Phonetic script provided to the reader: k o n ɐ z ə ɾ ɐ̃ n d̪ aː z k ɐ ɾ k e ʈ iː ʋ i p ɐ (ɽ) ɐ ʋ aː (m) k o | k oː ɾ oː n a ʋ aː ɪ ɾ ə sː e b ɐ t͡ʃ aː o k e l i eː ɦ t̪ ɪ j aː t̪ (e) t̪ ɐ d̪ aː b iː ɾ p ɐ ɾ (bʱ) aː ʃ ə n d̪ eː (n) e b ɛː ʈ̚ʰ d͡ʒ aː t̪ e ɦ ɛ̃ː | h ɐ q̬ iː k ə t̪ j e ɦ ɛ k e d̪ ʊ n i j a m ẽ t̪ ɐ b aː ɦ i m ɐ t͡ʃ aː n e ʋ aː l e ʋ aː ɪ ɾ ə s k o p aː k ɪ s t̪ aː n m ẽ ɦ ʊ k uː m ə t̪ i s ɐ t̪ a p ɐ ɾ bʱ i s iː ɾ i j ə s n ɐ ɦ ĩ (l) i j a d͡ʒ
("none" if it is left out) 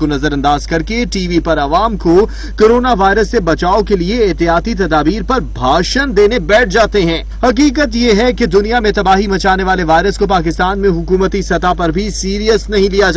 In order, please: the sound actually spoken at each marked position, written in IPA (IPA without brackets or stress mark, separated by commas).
ɾ, m, i, bʱ, n, l